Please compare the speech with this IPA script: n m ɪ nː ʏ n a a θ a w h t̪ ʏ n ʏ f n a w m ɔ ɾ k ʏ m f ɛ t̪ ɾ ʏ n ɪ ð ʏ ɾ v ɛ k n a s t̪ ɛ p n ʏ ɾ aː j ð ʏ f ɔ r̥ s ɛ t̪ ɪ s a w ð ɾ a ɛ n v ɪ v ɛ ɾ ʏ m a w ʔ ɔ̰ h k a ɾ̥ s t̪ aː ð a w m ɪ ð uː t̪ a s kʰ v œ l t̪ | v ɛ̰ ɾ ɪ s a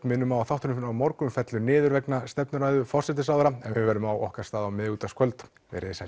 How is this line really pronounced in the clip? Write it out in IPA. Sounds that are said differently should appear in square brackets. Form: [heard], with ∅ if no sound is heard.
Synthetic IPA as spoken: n m ɪ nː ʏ [m] a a θ a w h t̪ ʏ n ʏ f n a w m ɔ ɾ k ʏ m f ɛ t̪ [l] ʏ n [ɪː] ð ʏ ɾ v ɛ k n a s t̪ ɛ p n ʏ ɾ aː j ð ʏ f ɔ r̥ s ɛ t̪ ɪ s a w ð ɾ a ɛ n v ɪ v ɛ ɾ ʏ m a w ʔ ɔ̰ h k a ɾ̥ s t̪ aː ð a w m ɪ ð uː t̪ a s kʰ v œ l t̪ | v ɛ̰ ɾ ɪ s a